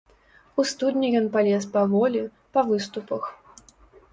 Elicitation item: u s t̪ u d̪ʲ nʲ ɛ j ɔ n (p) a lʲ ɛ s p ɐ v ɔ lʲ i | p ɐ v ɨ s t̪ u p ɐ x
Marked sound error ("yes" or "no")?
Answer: no